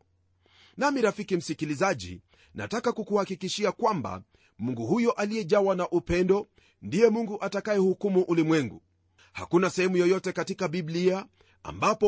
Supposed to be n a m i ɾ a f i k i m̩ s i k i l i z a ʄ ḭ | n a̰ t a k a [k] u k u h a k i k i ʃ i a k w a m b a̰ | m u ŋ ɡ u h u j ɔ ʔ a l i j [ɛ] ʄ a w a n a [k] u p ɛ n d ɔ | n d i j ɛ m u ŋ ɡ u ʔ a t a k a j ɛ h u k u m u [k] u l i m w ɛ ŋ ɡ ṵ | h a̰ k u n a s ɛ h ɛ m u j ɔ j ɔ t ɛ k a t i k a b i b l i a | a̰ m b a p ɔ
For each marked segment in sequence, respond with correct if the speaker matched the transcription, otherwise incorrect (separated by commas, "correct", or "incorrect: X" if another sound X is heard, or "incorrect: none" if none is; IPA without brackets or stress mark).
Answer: correct, correct, incorrect: ʔ, incorrect: ʔ